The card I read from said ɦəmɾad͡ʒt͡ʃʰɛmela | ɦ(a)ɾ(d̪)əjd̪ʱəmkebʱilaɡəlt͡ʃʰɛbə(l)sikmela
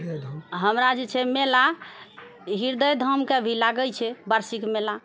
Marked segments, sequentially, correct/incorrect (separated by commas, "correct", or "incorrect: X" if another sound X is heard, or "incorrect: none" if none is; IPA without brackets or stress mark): incorrect: i, correct, incorrect: ɾ